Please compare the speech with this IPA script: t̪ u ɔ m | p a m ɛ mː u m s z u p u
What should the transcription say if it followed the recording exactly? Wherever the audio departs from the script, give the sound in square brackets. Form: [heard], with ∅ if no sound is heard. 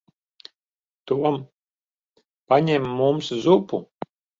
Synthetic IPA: t̪ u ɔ m | p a [ɲ] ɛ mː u m s z u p u